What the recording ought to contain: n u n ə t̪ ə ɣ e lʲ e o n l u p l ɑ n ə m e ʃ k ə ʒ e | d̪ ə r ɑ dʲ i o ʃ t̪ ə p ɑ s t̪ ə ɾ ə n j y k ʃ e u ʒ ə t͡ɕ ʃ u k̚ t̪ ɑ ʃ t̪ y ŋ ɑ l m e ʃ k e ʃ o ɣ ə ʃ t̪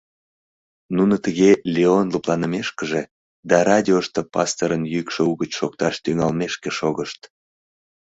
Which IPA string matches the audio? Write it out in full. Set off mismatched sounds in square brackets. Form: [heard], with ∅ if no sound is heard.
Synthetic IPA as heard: n u n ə t̪ ə ɣ e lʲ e o n l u p l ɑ n ə m e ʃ k ə ʒ e | d̪ [ɑ] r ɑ dʲ i o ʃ t̪ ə p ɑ s t̪ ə ɾ ə n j y k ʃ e u [ɣ] ə t͡ɕ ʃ [o] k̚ t̪ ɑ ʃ t̪ y ŋ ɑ l m e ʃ k e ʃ o ɣ ə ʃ t̪